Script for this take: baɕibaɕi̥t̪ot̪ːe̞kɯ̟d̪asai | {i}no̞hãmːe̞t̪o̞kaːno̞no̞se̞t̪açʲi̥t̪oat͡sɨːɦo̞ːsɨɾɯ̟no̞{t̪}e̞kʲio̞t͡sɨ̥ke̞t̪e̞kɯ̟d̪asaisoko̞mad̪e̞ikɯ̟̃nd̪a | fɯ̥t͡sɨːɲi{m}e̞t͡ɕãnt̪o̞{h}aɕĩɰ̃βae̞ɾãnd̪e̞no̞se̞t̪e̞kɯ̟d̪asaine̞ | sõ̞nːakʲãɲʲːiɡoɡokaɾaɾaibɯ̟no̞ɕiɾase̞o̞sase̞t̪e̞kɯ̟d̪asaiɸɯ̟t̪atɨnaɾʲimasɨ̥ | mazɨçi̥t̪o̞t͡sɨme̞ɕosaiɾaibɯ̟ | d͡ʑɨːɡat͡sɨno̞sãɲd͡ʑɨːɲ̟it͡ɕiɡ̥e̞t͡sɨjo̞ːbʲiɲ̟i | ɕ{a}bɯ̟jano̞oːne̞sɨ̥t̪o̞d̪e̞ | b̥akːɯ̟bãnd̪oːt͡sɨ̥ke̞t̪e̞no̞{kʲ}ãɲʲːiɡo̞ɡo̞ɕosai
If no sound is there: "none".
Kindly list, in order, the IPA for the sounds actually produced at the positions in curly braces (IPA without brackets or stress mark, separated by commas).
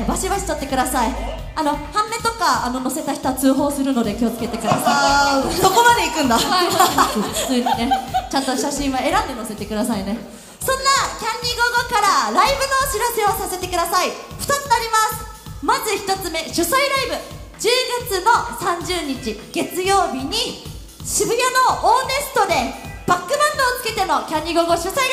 a, d̪, n, ɕ, i, kʲ